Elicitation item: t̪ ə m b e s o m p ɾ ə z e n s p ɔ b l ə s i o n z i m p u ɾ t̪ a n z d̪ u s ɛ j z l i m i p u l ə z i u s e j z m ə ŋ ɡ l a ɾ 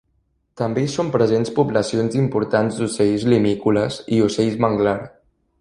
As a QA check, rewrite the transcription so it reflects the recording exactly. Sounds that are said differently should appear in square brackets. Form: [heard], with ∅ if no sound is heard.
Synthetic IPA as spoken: t̪ ə m b e s o m p ɾ ə z e n s p [u] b l ə s i o n z i m p u ɾ t̪ a n z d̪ u s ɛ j z l i m i [k] u l ə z i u s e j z m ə ŋ ɡ l a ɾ